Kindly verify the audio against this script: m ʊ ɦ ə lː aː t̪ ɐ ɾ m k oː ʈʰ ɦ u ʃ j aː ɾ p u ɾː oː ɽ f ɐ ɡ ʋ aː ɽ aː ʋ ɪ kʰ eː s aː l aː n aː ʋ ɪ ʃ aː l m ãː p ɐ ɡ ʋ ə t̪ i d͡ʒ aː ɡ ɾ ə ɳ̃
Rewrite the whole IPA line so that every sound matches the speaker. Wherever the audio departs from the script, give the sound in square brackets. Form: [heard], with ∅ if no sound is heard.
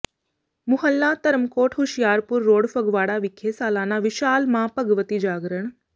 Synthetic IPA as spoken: m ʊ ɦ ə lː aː t̪ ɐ ɾ m k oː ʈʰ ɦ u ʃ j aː ɾ p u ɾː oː ɽ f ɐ ɡ ʋ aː ɽ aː ʋ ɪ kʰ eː s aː l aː n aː ʋ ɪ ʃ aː l m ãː p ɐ ɡ ʋ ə t̪ i d͡ʒ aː ɡ ɾ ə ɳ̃